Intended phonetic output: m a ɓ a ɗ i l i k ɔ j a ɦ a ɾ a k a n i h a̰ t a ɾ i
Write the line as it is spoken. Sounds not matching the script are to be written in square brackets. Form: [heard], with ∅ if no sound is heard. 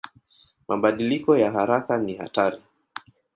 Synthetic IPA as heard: m a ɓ a ɗ i l i k ɔ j a ɦ a ɾ a k a n i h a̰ t a ɾ i